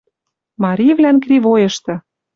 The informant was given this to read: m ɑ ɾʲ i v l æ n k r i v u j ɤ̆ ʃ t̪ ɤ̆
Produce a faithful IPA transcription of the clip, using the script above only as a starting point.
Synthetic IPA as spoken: m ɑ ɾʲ i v l æ n k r i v o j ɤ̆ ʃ t̪ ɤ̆